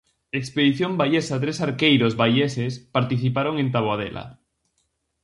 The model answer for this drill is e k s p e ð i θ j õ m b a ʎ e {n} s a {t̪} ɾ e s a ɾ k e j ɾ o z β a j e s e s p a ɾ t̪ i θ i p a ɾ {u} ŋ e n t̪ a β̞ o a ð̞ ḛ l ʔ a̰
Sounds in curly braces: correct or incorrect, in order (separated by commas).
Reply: incorrect, correct, incorrect